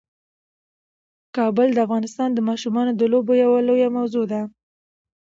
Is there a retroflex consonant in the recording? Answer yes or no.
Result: no